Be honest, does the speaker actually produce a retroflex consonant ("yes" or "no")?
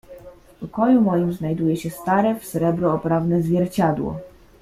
no